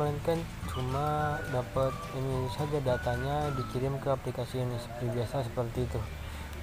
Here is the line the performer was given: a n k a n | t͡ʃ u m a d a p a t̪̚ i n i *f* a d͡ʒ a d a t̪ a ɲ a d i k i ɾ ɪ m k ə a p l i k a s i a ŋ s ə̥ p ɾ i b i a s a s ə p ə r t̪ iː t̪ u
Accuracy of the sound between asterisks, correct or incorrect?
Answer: incorrect: s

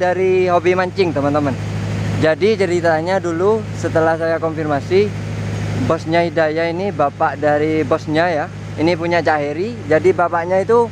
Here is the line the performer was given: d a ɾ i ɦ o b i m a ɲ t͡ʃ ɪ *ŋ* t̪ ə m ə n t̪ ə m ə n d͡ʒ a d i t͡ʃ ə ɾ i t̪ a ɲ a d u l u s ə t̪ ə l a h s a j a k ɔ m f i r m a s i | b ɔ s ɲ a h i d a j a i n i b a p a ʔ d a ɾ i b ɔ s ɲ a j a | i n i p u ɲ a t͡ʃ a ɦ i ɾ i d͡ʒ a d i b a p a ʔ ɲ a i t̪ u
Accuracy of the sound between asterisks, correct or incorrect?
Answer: correct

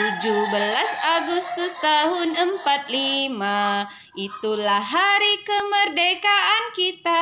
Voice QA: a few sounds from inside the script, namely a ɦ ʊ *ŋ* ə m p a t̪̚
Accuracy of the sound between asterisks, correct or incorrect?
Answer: incorrect: n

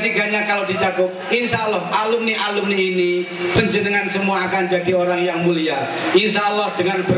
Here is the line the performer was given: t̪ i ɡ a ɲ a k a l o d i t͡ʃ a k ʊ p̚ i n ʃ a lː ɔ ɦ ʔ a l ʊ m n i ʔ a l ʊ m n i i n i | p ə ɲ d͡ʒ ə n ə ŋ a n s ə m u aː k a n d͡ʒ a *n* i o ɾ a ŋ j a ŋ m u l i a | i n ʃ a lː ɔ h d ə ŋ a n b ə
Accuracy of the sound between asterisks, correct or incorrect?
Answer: incorrect: d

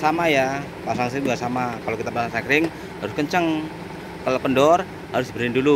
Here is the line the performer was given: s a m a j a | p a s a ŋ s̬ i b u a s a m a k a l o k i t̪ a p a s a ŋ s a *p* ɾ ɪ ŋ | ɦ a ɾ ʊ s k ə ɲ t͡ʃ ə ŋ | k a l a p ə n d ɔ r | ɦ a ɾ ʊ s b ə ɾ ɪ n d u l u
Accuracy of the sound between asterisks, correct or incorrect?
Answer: incorrect: k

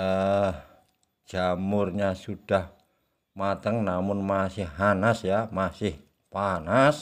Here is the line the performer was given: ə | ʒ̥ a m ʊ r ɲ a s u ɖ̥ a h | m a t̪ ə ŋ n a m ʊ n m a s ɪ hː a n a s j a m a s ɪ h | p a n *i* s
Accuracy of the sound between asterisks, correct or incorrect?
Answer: incorrect: a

